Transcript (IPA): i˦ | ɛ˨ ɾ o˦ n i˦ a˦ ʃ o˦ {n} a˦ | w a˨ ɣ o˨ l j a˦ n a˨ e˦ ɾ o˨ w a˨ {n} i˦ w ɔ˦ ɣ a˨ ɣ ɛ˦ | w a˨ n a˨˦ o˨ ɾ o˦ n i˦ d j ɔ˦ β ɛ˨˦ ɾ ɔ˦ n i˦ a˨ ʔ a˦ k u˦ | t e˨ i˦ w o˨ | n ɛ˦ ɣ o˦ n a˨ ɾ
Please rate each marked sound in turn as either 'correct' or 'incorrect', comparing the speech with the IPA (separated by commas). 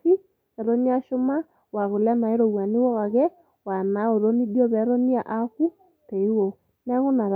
incorrect, correct